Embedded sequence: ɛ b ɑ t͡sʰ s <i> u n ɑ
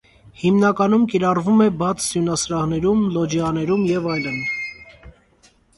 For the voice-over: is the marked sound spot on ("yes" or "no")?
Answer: no